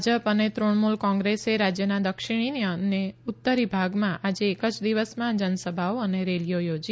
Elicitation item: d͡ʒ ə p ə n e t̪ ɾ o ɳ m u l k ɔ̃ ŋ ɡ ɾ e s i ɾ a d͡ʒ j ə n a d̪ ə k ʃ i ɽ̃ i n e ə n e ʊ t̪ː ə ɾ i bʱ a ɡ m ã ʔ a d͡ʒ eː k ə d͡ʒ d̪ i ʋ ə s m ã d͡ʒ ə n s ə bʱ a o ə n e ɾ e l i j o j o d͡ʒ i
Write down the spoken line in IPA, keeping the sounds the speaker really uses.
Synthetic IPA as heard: d͡ʒ ə p ə n e t̪ ɾ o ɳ m u l k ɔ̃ ŋ ɡ ɾ e s e ɾ a d͡ʒ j ə n a d̪ ə k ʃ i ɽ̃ i n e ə n e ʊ t̪ː ə ɾ i bʱ a ɡ m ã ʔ a d͡ʒ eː k ə d͡ʒ d̪ i ʋ ə s m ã d͡ʒ ə n s ə bʱ a o ə n e ɾ e l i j o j o d͡ʒ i